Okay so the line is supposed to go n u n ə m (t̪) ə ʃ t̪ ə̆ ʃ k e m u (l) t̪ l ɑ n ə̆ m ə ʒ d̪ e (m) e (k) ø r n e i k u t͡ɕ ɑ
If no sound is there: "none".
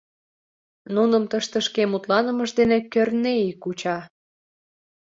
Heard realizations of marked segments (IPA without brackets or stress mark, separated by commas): t̪, none, n, k